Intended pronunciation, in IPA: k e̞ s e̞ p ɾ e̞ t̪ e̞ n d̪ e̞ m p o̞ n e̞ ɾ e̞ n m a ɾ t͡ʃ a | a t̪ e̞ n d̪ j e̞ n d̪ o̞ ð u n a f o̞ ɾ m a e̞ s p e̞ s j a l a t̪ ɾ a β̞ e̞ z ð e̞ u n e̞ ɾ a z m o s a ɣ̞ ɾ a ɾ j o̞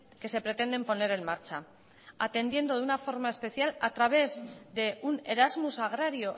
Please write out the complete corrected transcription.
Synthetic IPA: k e̞ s e̞ p ɾ e̞ t̪ e̞ n d̪ e̞ m p o̞ n e̞ ɾ e̞ n m a ɾ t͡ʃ a | a t̪ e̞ n d̪ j e̞ n d̪ o̞ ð u n a f o̞ ɾ m a e̞ s p e̞ θ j a l a t̪ ɾ a β̞ e̞ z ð e̞ u n e̞ ɾ a z m u s a ɣ̞ ɾ a ɾ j o̞